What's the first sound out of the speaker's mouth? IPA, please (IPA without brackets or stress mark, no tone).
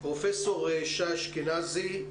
p